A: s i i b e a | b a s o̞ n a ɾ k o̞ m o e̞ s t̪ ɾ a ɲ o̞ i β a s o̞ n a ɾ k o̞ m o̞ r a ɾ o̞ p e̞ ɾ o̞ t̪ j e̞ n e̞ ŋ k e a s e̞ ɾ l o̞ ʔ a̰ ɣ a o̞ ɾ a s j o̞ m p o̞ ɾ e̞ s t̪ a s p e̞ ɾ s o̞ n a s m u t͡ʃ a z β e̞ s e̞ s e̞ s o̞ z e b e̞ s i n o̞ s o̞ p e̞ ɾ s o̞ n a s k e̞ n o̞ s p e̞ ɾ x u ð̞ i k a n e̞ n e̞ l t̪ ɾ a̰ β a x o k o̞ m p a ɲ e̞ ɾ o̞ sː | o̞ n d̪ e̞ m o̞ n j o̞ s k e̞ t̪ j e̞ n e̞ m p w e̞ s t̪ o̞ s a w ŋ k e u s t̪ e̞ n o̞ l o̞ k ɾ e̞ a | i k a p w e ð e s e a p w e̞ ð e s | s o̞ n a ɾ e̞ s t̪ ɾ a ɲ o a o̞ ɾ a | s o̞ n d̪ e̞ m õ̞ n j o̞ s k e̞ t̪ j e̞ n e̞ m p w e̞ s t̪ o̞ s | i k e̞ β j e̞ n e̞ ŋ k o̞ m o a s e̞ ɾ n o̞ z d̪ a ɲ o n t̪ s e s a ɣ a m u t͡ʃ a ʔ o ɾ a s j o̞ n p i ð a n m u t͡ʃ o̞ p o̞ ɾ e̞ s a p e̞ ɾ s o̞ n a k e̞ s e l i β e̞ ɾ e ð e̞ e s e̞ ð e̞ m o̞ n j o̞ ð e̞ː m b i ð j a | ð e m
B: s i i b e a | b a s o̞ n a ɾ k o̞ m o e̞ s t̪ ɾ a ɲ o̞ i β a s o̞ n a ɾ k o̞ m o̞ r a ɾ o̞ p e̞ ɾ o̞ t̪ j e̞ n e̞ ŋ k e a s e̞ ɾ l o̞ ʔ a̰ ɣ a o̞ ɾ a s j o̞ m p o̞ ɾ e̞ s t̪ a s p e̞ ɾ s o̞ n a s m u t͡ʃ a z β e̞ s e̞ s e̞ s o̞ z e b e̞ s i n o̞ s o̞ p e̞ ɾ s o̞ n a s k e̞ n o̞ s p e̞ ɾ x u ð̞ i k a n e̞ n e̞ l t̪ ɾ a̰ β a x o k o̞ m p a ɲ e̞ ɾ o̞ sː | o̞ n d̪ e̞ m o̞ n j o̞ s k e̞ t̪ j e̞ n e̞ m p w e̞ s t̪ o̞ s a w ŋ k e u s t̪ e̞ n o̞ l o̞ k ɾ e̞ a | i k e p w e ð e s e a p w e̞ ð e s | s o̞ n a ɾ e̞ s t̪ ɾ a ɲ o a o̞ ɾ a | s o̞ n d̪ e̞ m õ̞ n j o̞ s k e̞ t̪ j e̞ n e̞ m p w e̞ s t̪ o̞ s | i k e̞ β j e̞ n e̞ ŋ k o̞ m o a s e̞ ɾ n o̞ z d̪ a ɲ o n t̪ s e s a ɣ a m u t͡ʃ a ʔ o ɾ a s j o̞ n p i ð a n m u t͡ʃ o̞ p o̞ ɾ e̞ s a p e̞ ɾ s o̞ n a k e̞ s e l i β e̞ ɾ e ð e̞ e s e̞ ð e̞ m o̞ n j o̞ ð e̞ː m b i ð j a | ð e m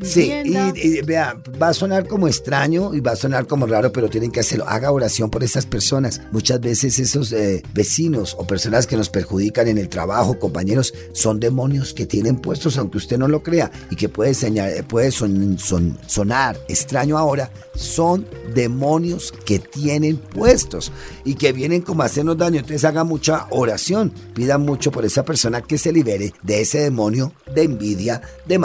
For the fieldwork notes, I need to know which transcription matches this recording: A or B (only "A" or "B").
B